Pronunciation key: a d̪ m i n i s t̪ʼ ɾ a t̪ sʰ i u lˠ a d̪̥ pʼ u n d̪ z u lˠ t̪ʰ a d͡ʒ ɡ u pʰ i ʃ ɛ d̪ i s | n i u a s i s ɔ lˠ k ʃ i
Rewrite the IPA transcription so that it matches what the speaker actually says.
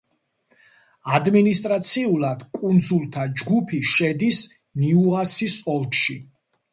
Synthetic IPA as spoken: a d̪ m i n i s t̪ʼ ɾ a t̪ sʰ i u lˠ a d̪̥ kʼ u n d̪ z u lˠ t̪ʰ a d͡ʒ ɡ u pʰ i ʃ ɛ d̪ i s | n i u a s i s ɔ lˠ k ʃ i

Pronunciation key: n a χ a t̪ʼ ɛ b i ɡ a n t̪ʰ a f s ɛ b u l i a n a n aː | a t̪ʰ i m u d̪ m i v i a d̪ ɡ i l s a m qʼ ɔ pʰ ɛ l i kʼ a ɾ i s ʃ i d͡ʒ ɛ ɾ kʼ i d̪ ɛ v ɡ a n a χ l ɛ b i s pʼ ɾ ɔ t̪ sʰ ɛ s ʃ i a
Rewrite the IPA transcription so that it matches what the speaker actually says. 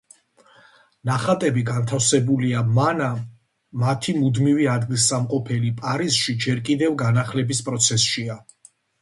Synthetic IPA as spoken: n a χ a t̪ʼ ɛ b i ɡ a n t̪ʰ a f s ɛ b u l i a m a n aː | a t̪ʰ i m u d̪ m i v i a d̪ ɡ i l s a m qʼ ɔ pʰ ɛ l i pʼ a ɾ i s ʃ i d͡ʒ ɛ ɾ kʼ i d̪ ɛ v ɡ a n a χ l ɛ b i s pʼ ɾ ɔ t̪ sʰ ɛ s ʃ i a

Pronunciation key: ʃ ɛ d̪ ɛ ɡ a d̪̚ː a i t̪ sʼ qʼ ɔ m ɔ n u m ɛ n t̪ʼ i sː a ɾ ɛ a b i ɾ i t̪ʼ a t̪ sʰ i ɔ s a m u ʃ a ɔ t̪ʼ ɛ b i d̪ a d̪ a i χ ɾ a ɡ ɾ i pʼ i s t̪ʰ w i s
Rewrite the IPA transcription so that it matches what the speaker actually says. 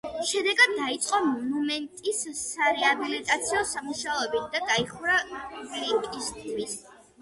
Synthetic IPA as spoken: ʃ ɛ d̪ ɛ ɡ a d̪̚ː a i t̪ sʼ qʼ ɔ m ɔ n u m ɛ n t̪ʼ i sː a ɾ ɛ a b i l i t̪ʼ a t̪ sʰ i ɔ s a m u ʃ a ɔ ɛ b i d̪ a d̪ a i χ ɾ a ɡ l i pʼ i s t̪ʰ w i s

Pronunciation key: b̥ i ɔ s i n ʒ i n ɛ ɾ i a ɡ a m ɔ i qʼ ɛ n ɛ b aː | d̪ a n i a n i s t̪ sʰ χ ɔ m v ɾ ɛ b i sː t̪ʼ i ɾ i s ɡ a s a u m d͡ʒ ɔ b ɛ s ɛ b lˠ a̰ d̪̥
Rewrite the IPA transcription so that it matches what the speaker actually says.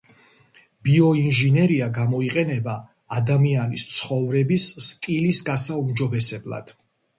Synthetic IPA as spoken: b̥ i ɔ i n ʒ i n ɛ ɾ i a ɡ a m ɔ i qʼ ɛ n ɛ b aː | d̪ a m i a n i s t̪ sʰ χ ɔ v ɾ ɛ b i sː t̪ʼ i l i s ɡ a s a u m d͡ʒ ɔ b ɛ s ɛ b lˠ a̰ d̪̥

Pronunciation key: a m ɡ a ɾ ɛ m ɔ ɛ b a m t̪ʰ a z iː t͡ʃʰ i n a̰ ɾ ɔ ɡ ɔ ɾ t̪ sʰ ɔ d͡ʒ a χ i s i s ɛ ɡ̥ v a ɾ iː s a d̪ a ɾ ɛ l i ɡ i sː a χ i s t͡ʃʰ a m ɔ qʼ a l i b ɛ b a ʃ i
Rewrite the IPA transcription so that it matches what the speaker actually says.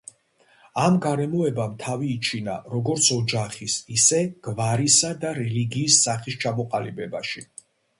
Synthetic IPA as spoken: a m ɡ a ɾ ɛ m ɔ ɛ b a m t̪ʰ a v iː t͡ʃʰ i n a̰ ɾ ɔ ɡ ɔ ɾ t̪ sʰ ɔ d͡ʒ a χ i s i s ɛ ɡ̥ v a ɾ i s a d̪ a ɾ ɛ l i ɡ iː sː a χ i s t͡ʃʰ a m ɔ qʼ a l i b ɛ b a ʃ i

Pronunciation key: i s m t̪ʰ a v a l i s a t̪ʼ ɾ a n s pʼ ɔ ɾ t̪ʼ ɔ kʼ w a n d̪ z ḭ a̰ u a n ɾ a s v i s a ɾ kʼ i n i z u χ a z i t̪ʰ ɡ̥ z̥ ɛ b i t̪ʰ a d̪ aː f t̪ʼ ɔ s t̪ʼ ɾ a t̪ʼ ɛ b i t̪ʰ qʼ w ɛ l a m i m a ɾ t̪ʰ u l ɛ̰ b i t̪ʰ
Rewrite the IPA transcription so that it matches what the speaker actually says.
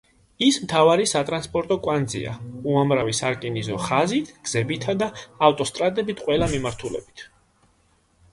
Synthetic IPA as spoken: i s m t̪ʰ a v a ɾ i s a t̪ʼ ɾ a n s pʼ ɔ ɾ t̪ʼ ɔ kʼ w a n d̪ z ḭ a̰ u a m ɾ a v i s a ɾ kʼ i n i z ɔ χ a z i t̪ʰ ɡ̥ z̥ ɛ b i t̪ʰ a d̪ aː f t̪ʼ ɔ s t̪ʼ ɾ a t̪ʼ ɛ b i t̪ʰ qʼ w ɛ l a m i m a ɾ t̪ʰ u l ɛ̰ b i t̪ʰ

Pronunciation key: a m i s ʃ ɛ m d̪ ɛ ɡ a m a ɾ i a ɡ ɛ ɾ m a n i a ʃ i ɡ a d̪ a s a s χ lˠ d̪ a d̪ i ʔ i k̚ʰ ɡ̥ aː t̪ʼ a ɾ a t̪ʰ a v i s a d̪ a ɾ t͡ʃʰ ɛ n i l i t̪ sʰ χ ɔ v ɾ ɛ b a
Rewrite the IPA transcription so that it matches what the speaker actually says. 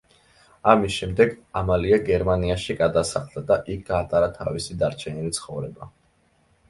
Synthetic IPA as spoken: a m i s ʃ ɛ m d̪ ɛ ɡ a m a l i a ɡ ɛ ɾ m a n i a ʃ i ɡ a d̪ a s a χ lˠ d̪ a d̪ a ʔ i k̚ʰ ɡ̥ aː t̪ʼ a ɾ a t̪ʰ a v i s i d̪ a ɾ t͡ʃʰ ɛ n i l i t̪ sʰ χ ɔ v ɾ ɛ b a

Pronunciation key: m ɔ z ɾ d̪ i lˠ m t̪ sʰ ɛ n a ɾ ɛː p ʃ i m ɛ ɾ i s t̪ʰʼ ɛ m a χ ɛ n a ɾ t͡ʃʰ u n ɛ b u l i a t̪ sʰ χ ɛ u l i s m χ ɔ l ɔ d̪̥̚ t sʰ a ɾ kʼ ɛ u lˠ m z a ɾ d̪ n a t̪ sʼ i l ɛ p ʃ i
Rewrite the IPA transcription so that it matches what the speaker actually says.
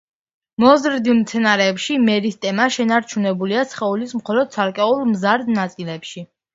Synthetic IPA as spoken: m ɔ z ɾ d̪ i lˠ m t̪ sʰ ɛ n a ɾ ɛː p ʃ i m ɛ ɾ i s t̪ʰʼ ɛ m a ʃ ɛ n a ɾ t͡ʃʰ u n ɛ b u l i a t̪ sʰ χ ɛ u l i s m χ ɔ l ɔ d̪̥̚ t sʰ a ɾ kʼ ɛ u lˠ m z a ɾ d̪ n a t̪ sʼ i l ɛ p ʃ i

